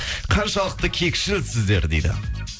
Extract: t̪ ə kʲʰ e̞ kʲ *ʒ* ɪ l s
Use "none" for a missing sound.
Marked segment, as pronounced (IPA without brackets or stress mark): ʃ